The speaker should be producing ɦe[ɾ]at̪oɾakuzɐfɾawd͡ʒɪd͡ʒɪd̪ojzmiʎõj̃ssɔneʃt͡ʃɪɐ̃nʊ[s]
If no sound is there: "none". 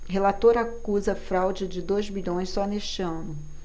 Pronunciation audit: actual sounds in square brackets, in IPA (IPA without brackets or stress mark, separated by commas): l, none